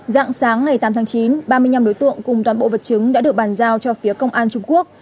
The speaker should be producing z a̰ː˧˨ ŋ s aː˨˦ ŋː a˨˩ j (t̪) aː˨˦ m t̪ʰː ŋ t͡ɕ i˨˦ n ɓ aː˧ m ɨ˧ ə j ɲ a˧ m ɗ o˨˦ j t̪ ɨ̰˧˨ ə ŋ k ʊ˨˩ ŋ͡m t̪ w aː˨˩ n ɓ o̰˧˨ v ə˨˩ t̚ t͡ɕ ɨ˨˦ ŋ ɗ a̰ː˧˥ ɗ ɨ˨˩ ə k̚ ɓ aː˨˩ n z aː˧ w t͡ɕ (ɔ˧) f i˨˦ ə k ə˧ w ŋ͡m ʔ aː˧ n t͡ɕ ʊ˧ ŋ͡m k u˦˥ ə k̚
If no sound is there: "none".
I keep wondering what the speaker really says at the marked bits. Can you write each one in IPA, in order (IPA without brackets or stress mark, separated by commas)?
t̪, ɔ˧